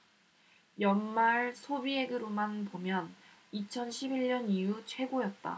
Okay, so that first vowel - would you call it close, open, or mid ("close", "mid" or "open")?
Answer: mid